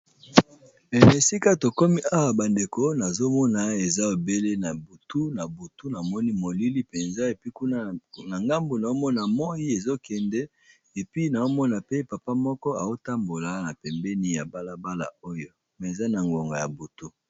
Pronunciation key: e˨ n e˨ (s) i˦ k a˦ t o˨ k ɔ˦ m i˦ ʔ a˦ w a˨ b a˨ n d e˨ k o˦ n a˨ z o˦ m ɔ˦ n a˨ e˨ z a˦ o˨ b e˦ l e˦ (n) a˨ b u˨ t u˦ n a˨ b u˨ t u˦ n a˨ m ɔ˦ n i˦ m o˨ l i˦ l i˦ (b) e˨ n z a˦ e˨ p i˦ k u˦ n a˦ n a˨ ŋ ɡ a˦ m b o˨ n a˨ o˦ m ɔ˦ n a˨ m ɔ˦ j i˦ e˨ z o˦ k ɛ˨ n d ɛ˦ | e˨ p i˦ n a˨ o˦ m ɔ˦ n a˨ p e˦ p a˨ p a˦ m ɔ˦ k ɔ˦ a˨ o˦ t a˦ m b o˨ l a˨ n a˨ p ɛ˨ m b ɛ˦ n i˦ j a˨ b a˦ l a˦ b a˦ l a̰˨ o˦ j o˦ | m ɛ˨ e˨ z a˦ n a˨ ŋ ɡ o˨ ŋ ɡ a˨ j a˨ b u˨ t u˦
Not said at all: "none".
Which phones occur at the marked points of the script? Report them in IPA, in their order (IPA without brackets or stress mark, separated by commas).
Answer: s, n, p